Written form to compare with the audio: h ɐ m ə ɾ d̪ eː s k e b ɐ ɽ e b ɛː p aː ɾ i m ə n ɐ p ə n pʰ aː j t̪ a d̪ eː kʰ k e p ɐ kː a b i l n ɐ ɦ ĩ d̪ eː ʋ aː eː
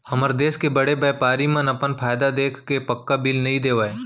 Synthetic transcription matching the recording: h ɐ m ə ɾ d̪ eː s k e b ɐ ɽ e b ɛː p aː ɾ i m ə n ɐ p ə n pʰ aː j d̪ a d̪ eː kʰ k e p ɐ kː a b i l n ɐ ɦ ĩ d̪ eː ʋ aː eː